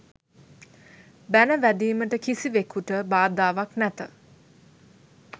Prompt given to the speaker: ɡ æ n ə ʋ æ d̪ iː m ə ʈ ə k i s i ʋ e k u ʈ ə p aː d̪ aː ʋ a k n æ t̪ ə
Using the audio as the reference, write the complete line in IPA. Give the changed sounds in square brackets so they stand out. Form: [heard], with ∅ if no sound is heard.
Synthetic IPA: [b] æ n ə ʋ æ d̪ iː m ə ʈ ə k i s i ʋ e k u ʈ ə [b] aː d̪ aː ʋ a k n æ t̪ ə